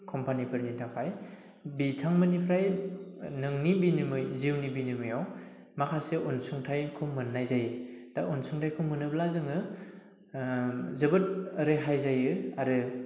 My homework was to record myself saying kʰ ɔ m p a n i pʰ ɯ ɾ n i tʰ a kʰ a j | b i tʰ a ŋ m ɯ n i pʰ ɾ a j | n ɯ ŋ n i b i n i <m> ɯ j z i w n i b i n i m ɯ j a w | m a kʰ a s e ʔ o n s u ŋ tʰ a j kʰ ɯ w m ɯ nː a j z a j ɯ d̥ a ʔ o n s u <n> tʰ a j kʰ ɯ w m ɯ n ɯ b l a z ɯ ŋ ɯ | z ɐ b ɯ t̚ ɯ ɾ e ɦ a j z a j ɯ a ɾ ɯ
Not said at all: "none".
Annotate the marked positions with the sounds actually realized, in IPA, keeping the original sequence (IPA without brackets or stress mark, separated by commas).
m, ŋ